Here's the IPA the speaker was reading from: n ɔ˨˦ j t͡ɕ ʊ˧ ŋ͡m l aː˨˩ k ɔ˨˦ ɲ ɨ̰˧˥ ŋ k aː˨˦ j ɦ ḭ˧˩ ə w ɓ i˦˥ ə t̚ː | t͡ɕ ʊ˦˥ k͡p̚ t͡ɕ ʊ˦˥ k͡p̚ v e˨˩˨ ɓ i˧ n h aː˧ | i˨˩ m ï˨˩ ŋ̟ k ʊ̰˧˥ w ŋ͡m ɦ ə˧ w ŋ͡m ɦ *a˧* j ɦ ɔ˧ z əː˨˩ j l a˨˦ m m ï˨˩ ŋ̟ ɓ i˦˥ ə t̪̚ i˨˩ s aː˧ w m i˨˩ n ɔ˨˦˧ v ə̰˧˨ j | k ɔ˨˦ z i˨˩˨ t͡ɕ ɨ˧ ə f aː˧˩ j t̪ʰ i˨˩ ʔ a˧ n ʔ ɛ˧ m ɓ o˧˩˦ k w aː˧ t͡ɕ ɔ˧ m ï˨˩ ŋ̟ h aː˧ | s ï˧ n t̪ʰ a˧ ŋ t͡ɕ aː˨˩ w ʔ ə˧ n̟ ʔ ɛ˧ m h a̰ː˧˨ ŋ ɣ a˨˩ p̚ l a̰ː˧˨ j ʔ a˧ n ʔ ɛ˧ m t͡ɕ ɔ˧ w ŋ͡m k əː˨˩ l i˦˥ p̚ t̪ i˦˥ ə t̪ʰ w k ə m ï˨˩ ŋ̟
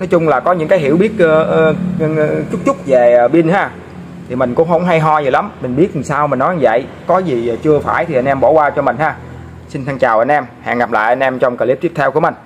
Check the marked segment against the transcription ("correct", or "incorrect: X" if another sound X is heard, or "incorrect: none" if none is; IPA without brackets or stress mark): correct